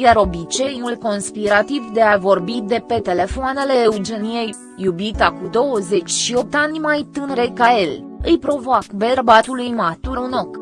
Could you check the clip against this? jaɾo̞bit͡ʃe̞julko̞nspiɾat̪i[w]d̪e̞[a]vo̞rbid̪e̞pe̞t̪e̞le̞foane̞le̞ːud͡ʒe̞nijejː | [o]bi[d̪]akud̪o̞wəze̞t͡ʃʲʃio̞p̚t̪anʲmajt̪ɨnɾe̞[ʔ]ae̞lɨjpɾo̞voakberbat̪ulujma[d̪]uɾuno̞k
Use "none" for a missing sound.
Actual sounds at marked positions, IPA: v, a, u, t̪, k, t̪

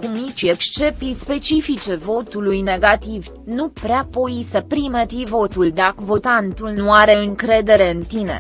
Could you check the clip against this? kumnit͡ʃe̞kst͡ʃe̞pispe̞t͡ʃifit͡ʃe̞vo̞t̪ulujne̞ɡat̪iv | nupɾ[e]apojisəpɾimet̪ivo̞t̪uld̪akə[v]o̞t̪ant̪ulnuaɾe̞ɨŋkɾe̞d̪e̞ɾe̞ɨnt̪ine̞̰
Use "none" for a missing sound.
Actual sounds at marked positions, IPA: e, v

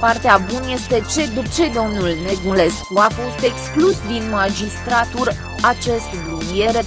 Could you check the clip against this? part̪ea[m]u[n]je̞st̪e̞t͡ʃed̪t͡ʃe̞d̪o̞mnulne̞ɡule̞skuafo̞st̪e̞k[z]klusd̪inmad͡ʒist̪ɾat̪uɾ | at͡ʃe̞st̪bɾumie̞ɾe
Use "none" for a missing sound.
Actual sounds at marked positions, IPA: b, n, s

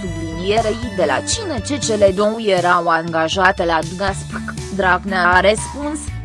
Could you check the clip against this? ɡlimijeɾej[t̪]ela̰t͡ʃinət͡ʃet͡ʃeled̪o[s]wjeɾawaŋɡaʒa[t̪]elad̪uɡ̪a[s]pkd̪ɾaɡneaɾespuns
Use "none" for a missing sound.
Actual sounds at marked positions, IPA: d̪, none, t̪, s

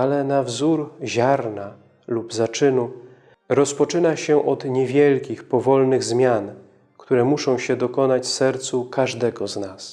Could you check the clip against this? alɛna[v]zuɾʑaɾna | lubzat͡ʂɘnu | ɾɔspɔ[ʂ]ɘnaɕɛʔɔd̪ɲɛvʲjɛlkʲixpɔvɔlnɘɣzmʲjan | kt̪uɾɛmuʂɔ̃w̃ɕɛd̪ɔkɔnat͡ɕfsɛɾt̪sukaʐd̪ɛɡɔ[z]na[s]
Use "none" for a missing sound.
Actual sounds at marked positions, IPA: v, t͡ʂ, z, s

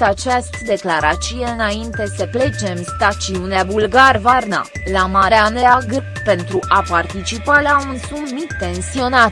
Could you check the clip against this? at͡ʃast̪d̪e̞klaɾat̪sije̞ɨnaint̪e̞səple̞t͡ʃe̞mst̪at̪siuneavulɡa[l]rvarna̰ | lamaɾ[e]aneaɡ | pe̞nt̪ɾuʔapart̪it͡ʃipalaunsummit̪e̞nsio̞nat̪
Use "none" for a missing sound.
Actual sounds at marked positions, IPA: none, e

